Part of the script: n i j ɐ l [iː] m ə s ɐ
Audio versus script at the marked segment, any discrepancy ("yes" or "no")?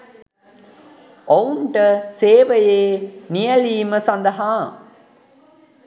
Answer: no